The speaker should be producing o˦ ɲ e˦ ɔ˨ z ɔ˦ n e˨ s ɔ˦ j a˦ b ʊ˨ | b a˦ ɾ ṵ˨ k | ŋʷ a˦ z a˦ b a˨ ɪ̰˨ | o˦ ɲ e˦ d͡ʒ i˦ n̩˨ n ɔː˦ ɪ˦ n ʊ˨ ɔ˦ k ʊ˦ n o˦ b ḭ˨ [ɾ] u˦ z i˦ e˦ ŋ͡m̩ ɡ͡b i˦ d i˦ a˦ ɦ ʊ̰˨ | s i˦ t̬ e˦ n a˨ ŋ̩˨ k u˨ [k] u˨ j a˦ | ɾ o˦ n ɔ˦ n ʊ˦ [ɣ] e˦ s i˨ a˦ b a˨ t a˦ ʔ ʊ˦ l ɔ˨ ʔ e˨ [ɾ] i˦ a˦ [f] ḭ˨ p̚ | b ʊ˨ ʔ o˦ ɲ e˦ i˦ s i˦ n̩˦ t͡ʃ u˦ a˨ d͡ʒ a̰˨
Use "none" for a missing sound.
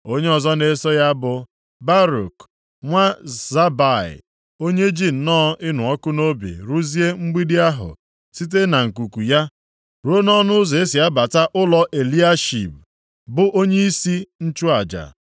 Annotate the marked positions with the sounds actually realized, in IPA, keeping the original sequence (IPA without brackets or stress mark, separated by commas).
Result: ɾ, k, z, l, ʃ